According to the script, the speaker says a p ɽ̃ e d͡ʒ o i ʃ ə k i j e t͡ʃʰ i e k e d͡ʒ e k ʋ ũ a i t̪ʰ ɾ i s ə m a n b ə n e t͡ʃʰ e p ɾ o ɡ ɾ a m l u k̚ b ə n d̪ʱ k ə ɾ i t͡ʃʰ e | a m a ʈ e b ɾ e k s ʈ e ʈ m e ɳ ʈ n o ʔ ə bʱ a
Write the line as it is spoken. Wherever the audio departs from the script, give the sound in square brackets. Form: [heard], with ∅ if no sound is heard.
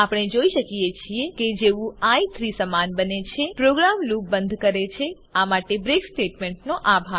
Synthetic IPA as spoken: a p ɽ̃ e d͡ʒ o i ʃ ə k i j e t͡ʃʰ i e k e d͡ʒ e [∅] ʋ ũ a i t̪ʰ ɾ i s ə m a n b ə n e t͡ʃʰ e p ɾ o ɡ ɾ a m l u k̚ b ə n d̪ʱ k ə ɾ [e] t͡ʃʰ e | a m a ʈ e b ɾ e k s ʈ e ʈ m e ɳ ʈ n o ʔ [a] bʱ a